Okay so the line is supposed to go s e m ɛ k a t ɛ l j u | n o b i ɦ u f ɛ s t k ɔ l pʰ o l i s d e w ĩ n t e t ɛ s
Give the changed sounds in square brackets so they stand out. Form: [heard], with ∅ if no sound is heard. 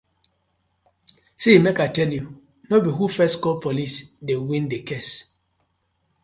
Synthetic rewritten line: s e m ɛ k a t ɛ l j u | n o b i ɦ u f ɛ s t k ɔ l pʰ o l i s d e w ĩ n [d] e [k] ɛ s